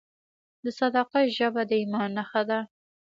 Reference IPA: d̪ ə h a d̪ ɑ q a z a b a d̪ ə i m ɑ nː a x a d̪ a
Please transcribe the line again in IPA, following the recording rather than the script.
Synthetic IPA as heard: d̪ ə s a d̪ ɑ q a ʒ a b a d̪ ə i m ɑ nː a x a d̪ a